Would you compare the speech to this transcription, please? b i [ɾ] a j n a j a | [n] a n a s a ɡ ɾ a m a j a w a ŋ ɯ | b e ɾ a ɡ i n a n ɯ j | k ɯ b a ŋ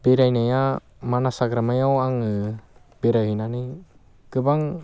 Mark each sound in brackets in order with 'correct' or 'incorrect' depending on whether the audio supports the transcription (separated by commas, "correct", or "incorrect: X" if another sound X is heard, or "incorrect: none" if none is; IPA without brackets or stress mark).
correct, incorrect: m